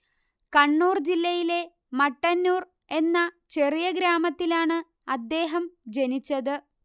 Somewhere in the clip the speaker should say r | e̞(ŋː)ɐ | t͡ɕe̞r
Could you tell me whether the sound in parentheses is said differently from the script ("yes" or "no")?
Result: yes